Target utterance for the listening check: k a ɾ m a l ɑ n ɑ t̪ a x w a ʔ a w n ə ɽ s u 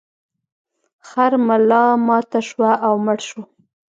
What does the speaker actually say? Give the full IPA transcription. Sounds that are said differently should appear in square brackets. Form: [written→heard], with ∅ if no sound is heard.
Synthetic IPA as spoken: [k→x] a ɾ m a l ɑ [n→m] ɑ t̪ a [x→ʃ] w a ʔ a w [n→m] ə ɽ [s→ʃ] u